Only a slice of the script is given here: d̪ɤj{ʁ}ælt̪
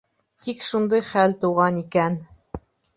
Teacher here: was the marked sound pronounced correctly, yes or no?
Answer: no